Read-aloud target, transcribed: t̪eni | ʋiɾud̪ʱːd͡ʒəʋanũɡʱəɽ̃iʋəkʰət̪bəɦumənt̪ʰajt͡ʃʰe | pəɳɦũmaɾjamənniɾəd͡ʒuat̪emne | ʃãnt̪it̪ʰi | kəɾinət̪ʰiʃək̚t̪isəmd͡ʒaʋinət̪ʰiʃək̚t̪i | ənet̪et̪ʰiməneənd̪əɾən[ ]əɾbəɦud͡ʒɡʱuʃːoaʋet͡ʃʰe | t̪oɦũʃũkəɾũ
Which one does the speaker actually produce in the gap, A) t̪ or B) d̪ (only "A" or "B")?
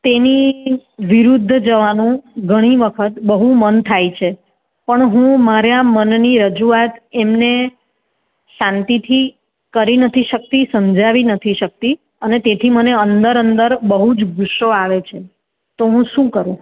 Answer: B